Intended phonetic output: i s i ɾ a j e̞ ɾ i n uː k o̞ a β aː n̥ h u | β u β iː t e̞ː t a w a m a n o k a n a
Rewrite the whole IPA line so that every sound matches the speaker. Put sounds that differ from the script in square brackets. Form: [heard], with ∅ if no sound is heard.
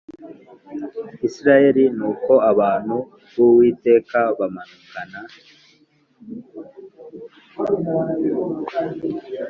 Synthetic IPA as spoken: i s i ɾ a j e̞ ɾ i n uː k o̞ a β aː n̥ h u | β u [w] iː t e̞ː [k] a [β] a m a n [u] k a n a

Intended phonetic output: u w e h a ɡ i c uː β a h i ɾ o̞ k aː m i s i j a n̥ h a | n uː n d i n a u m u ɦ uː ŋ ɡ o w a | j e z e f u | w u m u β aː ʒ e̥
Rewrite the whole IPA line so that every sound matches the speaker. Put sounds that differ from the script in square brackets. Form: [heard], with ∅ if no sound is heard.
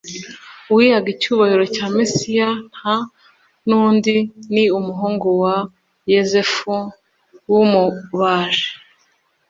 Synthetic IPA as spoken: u w [i] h a ɡ i c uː β a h i ɾ o̞ [c] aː m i s i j a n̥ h a | n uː n d i n [i] u m u ɦ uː ŋ ɡ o w a | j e z e f u | w u m u β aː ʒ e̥

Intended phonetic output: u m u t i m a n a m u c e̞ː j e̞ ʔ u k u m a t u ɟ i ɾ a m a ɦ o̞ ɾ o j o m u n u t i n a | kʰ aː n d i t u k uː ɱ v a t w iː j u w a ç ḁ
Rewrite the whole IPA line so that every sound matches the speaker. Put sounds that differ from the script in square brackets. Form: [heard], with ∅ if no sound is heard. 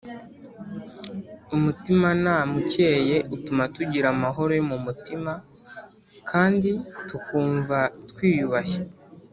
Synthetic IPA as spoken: u m u t i m a n a m u c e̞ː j e̞ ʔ u [t] u m a t u ɟ i ɾ a m a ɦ o̞ ɾ o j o m u [m] u t i [m] a | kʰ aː n d i t u k uː ɱ v a t w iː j u [β] a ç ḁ

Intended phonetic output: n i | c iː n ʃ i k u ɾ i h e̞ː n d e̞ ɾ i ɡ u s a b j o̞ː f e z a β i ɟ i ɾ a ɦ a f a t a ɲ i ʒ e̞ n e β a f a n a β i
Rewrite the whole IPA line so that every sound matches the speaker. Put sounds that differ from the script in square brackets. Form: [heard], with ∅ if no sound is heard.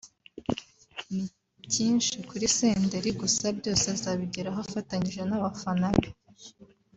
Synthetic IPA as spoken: n i | c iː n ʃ i k u ɾ i [s] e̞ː n d e̞ ɾ i ɡ u s a b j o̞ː [s] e z a β i ɟ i ɾ a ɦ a f a t a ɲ i ʒ e̞ n [a] β a f a n a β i

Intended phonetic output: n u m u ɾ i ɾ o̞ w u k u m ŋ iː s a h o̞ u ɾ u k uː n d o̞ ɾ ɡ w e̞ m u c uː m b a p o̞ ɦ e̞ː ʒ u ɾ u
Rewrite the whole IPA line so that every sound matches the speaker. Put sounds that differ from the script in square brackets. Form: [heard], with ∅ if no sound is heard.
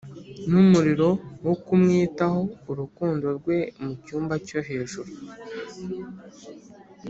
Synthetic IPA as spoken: n u m u ɾ i ɾ o̞ w [o] k u m ŋ iː [t] a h o̞ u ɾ u k uː n d o̞ ɾ ɡ w e̞ m u c uː m b a [c] o̞ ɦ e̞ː ʒ u ɾ u

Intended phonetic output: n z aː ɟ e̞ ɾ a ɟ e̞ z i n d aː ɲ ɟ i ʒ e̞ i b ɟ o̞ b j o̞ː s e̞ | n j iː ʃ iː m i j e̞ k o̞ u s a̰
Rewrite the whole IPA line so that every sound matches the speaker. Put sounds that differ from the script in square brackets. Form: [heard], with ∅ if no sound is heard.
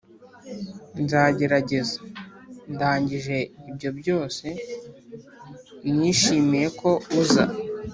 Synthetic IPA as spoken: n z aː ɟ e̞ ɾ a ɟ e̞ z [a] n d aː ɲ ɟ i ʒ e̞ i b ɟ o̞ b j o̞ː s e̞ | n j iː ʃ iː m i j e̞ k o̞ u [z] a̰

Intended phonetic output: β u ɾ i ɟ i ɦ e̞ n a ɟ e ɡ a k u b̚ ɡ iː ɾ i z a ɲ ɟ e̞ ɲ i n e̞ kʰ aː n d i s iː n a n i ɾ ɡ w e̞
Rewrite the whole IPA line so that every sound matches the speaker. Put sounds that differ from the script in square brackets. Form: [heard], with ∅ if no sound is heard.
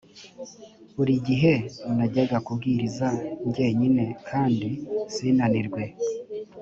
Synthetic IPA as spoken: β u ɾ i ɟ i ɦ e̞ n a ɟ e ɡ a k u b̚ ɡ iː ɾ i z a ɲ ɟ e̞ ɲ i n e̞ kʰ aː n d i s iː n a n i ɾ ɡ w e̞

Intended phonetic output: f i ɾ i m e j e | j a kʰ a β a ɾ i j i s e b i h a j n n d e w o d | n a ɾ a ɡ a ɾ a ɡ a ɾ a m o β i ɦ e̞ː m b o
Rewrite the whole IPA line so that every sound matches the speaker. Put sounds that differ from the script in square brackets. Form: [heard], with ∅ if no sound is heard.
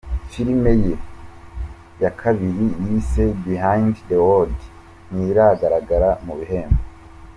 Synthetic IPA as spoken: f i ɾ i m e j e | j a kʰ a β [i] ɾ i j i s e b i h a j n [d] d e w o d | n [i] ɾ a ɡ a ɾ a ɡ a ɾ a m [u] β i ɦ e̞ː m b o

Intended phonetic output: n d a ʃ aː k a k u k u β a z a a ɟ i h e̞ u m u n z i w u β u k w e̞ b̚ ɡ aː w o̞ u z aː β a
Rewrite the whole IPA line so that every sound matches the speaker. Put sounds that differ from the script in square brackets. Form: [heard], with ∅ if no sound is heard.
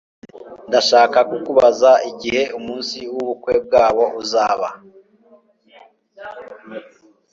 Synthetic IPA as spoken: n d a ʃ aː k a k u k u β a z a [i] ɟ i h e̞ u m [uː] n [s] i w u β u k w e̞ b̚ ɡ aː [β] o̞ u z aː β a

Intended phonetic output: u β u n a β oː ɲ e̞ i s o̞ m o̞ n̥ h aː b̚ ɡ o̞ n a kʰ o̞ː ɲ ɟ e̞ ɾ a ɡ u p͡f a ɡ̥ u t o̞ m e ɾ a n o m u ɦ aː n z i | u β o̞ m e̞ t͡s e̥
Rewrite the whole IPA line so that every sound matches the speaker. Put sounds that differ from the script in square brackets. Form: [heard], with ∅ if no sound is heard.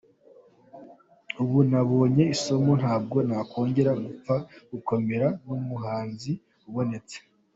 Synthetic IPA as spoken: u β u n a β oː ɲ e̞ i s o̞ m o̞ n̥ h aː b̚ ɡ o̞ n a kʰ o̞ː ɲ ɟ e̞ ɾ a ɡ u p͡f a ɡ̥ u [k] o̞ m e ɾ a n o m u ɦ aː n z i | u β o̞ [n] e̞ t͡s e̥

